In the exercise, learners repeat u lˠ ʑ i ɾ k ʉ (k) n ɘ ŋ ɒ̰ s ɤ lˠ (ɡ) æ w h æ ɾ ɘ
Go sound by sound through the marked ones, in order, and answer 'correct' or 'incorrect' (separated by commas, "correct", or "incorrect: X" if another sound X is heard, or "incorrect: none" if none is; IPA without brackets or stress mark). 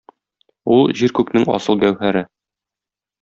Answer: correct, correct